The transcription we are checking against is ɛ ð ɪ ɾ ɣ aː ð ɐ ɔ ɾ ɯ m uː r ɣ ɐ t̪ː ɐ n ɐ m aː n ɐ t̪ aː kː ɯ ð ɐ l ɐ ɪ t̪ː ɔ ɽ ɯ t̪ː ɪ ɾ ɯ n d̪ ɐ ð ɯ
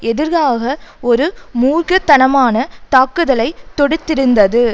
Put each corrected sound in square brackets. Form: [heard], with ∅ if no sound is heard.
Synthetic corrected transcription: ɛ ð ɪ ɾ ɣ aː [ɣ] ɐ ɔ ɾ ɯ m uː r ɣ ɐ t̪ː ɐ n ɐ m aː n ɐ t̪ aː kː ɯ ð ɐ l ɐ ɪ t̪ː ɔ ɽ ɯ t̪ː ɪ ɾ ɯ n d̪ ɐ ð ɯ

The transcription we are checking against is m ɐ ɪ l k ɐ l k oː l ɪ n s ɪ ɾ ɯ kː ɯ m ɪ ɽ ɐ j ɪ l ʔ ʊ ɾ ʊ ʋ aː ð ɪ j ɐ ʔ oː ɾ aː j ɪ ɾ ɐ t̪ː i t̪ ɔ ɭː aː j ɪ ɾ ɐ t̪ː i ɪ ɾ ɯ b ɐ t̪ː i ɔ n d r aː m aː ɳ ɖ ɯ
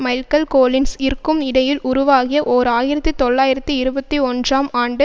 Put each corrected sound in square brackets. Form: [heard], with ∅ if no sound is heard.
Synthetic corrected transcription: m ɐ ɪ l k ɐ l k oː l ɪ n s ɪ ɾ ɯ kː ɯ m ɪ ɽ ɐ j ɪ l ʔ ʊ ɾ ʊ ʋ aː [ɣ] ɪ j ɐ ʔ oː ɾ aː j ɪ ɾ ɐ t̪ː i t̪ ɔ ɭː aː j ɪ ɾ ɐ t̪ː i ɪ ɾ ɯ b ɐ t̪ː i ɔ n d r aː m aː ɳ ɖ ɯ

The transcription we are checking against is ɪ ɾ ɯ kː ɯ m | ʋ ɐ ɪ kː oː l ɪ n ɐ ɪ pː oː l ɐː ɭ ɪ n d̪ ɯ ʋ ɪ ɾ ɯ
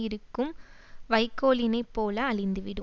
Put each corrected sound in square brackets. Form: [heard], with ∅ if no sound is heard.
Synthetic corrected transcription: ɪ ɾ ɯ kː ɯ m | ʋ ɐ ɪ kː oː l ɪ n ɐ ɪ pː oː l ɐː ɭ ɪ n d̪ ɯ ʋ ɪ [ɽ] ɯ

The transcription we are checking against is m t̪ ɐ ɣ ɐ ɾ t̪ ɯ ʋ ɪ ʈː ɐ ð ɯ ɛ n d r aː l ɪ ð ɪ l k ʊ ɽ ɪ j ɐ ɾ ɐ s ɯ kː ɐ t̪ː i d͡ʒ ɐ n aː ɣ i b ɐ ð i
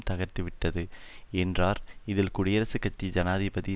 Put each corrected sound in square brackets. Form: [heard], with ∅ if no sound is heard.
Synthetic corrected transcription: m t̪ ɐ ɣ ɐ ɾ t̪ ɯ ʋ ɪ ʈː ɐ ð ɯ ɛ n d r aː [ɾ] ɪ ð ɪ l k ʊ ɽ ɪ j ɐ ɾ ɐ s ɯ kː ɐ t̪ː i d͡ʒ ɐ n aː [ð] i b ɐ ð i

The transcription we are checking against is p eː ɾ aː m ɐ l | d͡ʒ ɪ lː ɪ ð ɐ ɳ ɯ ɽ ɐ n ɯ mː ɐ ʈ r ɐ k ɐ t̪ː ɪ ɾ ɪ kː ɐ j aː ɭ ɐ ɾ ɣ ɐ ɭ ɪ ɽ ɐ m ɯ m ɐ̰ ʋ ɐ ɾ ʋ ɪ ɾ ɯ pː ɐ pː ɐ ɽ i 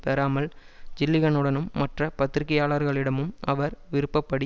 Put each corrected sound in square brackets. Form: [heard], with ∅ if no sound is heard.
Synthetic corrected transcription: p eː ɾ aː m ɐ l | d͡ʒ ɪ lː ɪ [ɣ] ɐ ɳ ɯ ɽ ɐ n ɯ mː ɐ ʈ r ɐ [p] ɐ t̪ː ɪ ɾ ɪ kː ɐ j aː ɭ ɐ ɾ ɣ ɐ ɭ ɪ ɽ ɐ m ɯ m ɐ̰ ʋ ɐ ɾ ʋ ɪ ɾ ɯ pː ɐ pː ɐ ɽ i

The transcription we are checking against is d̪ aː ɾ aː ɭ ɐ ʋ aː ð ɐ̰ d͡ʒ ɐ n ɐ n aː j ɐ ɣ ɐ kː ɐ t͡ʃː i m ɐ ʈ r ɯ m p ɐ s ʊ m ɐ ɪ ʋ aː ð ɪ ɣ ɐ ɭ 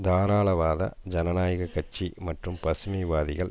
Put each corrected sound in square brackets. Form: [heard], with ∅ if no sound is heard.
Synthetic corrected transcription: d̪ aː ɾ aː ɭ ɐ ʋ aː ð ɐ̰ d͡ʒ ɐ n ɐ n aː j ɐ ɣ ɐ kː ɐ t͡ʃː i m ɐ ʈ r ɯ m p ɐ s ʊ m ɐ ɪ ʋ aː ð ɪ ɣ ɐ ɭ

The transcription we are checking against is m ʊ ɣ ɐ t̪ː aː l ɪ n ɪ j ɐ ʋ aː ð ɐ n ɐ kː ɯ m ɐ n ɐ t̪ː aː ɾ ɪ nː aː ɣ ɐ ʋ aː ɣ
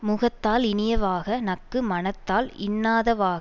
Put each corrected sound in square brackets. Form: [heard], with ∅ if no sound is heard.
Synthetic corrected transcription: m ʊ ɣ ɐ t̪ː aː l ɪ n ɪ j ɐ ʋ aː [ɣ] ɐ n ɐ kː ɯ m ɐ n ɐ t̪ː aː [l] ɪ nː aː [ð] ɐ ʋ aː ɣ

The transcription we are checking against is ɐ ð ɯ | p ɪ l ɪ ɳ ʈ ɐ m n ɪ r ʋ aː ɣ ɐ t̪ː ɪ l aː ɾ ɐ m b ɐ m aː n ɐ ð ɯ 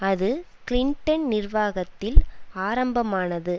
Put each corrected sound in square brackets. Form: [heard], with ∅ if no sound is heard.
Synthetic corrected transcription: ɐ ð ɯ | [k] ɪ l ɪ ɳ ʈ ɐ [n] n ɪ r ʋ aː ɣ ɐ t̪ː ɪ l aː ɾ ɐ m b ɐ m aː n ɐ ð ɯ

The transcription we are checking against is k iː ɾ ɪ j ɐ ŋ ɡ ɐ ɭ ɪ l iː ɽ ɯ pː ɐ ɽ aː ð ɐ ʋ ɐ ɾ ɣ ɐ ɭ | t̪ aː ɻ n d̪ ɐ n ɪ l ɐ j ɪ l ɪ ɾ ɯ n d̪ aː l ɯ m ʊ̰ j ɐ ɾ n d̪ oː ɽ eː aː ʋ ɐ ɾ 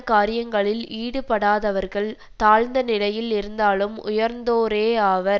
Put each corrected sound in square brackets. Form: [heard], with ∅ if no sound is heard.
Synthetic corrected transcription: k [aː] ɾ ɪ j ɐ ŋ ɡ ɐ ɭ ɪ l iː ɽ ɯ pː ɐ ɽ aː ð ɐ ʋ ɐ ɾ ɣ ɐ ɭ | t̪ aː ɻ n d̪ ɐ n ɪ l ɐ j ɪ l ɪ ɾ ɯ n d̪ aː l ɯ m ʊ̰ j ɐ ɾ n d̪ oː [ɾ] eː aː ʋ ɐ ɾ

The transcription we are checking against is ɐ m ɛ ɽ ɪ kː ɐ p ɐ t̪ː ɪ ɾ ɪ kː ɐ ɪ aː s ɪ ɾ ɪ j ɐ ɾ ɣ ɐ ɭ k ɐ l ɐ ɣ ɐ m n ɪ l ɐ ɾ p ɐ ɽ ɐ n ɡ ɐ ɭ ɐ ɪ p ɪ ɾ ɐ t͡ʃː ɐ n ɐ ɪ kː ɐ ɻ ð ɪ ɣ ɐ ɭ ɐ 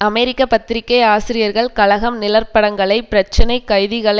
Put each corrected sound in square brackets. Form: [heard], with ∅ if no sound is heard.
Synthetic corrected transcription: ɐ m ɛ [ɾ] ɪ kː ɐ p ɐ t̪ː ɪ ɾ ɪ kː ɐ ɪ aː s ɪ ɾ ɪ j ɐ ɾ ɣ ɐ ɭ k ɐ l ɐ ɣ ɐ m n ɪ l ɐ ɾ p ɐ ɽ ɐ [ŋ] ɡ ɐ ɭ ɐ ɪ p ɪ ɾ ɐ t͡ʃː ɐ n ɐ ɪ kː ɐ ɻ ð ɪ ɣ ɐ ɭ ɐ

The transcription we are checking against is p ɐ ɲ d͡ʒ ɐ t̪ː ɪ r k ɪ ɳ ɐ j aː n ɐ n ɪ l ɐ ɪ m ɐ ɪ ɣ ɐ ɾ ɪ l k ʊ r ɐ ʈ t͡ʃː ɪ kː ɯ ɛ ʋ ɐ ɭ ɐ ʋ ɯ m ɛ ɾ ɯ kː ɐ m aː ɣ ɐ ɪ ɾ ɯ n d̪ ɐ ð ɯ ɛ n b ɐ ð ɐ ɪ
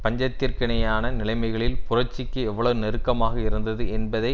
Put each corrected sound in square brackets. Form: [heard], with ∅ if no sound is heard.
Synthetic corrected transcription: p ɐ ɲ d͡ʒ ɐ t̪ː ɪ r k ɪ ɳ ɐ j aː n ɐ n ɪ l ɐ ɪ m ɐ ɪ ɣ ɐ [ɭ] ɪ l [p] ʊ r ɐ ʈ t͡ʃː ɪ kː ɯ ɛ [ʋː] ɐ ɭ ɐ ʋ ɯ [n] ɛ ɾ ɯ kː ɐ m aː ɣ ɐ ɪ ɾ ɯ n d̪ ɐ ð ɯ ɛ n b ɐ ð ɐ ɪ

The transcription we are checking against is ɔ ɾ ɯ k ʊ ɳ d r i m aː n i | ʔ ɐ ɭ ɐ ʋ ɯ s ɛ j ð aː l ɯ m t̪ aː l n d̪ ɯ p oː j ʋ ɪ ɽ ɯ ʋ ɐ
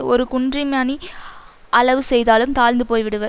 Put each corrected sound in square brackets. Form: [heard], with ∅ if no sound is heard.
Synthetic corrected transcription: ɔ ɾ ɯ k ʊ ɳ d r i m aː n i | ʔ ɐ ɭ ɐ ʋ ɯ s ɛ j ð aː l ɯ m t̪ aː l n d̪ ɯ p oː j ʋ ɪ ɽ ɯ ʋ ɐ

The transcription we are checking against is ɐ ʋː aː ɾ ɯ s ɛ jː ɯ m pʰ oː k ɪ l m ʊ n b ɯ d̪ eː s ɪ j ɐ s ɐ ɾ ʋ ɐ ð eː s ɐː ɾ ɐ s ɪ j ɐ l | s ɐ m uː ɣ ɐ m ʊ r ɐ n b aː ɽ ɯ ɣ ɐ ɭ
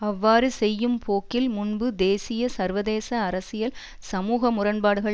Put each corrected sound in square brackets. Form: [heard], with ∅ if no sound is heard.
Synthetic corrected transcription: ɐ ʋː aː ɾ ɯ s ɛ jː ɯ m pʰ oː k ɪ l m ʊ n b ɯ d̪ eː s ɪ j ɐ s ɐ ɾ ʋ ɐ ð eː s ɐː ɾ ɐ s ɪ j ɐ l | s ɐ m uː ɣ ɐ m ʊ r ɐ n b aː ɽ ɯ ɣ ɐ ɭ

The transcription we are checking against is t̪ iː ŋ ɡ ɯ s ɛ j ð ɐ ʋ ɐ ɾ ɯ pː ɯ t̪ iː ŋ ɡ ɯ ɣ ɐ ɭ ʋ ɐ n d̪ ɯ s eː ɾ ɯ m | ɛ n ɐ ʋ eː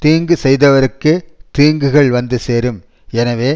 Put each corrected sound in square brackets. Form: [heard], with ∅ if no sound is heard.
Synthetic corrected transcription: t̪ iː ŋ ɡ ɯ s ɛ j ð ɐ ʋ ɐ ɾ ɯ [kː] ɯ t̪ iː ŋ ɡ ɯ ɣ ɐ ɭ ʋ ɐ n d̪ ɯ s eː ɾ ɯ m | ɛ n ɐ ʋ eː

